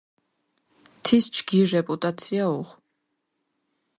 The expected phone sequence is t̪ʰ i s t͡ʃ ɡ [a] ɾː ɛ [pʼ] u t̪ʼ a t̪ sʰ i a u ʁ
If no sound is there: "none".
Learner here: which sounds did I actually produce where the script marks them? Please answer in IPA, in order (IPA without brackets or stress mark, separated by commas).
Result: i, pʼ